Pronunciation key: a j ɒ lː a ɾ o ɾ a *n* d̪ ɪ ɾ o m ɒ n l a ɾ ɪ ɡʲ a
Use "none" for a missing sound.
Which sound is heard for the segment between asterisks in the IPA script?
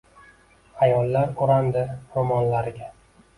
n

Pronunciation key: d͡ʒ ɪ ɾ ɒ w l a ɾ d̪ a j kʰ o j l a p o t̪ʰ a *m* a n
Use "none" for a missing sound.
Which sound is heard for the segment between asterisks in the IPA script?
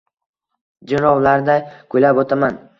m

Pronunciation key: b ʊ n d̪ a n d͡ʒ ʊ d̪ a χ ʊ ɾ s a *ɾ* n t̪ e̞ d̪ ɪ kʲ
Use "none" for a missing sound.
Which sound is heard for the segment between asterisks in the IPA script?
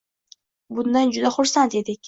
none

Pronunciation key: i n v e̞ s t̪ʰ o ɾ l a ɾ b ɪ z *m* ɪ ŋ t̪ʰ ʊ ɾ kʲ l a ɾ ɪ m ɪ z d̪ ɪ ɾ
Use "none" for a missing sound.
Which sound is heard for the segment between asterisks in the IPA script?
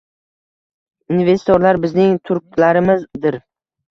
n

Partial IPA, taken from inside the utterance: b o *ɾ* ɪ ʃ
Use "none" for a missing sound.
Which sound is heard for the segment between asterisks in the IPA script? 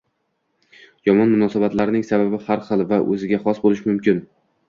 l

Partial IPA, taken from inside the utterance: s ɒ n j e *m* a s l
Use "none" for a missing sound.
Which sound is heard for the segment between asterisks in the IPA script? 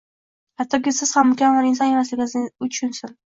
m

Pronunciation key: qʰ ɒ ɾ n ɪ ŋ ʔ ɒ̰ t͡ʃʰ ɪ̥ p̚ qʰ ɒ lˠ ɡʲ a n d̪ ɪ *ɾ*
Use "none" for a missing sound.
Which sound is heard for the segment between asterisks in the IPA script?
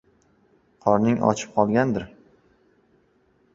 ɾ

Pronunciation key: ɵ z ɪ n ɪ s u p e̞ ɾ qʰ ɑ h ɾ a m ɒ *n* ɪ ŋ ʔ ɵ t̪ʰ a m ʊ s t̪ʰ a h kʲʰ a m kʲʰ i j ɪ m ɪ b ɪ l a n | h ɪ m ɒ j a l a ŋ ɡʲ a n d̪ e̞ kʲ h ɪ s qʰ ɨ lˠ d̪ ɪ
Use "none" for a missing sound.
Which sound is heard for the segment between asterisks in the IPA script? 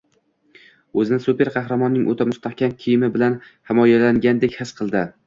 nː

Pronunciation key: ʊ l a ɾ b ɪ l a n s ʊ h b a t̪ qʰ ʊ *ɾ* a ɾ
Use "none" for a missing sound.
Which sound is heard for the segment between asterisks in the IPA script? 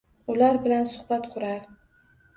ɾ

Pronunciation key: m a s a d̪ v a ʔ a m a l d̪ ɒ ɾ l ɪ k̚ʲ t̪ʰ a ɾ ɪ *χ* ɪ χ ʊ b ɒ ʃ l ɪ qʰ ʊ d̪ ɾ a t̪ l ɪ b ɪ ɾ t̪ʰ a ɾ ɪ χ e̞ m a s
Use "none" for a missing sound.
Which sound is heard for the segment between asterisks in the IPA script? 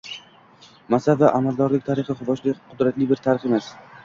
χ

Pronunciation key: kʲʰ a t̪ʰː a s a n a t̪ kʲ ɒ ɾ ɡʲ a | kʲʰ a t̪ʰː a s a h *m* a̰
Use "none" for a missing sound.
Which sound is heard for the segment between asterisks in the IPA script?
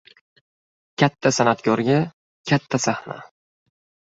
n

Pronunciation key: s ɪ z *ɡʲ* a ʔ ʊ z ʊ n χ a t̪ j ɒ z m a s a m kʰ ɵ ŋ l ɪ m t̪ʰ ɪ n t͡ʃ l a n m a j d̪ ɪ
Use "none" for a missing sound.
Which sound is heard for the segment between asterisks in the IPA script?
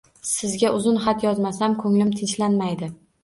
ɡʲ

